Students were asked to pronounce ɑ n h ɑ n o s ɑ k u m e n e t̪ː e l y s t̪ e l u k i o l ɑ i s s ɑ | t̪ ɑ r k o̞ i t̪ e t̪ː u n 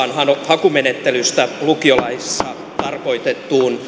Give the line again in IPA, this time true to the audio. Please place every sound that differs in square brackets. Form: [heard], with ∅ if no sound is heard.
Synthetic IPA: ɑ n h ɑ n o [h] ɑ k u m e n e t̪ː e l y s t̪ [æ] l u k i o l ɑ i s [sː] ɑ | t̪ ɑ r k o̞ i t̪ e t̪ː [uː] n